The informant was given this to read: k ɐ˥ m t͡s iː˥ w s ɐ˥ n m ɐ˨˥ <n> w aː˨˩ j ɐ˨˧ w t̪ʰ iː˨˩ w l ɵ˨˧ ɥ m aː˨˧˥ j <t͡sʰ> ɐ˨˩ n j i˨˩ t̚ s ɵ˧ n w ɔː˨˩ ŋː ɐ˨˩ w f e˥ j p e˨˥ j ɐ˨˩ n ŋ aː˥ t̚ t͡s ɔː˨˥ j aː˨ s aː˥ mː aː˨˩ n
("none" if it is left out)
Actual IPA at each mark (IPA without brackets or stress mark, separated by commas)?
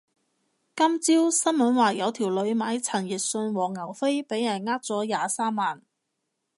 n, t͡sʰ